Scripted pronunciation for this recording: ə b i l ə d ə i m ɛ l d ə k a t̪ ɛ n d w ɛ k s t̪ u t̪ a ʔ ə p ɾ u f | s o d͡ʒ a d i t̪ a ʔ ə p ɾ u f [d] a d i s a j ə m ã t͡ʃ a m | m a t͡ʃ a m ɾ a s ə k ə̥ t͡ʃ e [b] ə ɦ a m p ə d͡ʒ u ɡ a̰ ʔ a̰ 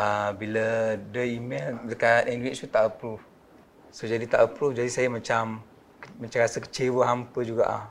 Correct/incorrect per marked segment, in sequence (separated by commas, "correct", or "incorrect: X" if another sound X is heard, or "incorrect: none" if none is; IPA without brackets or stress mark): incorrect: d͡ʒ, incorrect: w